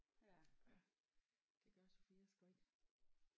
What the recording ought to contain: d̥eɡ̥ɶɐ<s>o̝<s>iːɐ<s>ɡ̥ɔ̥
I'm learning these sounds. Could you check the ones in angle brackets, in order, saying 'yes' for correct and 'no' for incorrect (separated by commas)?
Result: yes, no, yes